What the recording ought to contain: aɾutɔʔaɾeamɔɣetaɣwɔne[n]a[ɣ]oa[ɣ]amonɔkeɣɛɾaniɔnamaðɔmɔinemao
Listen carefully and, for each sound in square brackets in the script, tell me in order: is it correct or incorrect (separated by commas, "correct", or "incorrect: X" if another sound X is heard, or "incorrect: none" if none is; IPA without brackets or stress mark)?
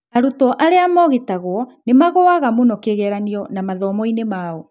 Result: incorrect: m, correct, correct